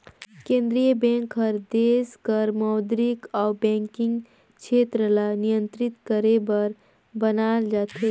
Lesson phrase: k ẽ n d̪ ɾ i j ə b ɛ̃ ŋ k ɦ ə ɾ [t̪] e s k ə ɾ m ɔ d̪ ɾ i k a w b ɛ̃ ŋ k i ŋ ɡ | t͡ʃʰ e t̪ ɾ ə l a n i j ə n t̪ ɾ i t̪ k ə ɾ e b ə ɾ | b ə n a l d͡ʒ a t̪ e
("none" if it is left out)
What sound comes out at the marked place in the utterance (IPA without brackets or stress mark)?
d̪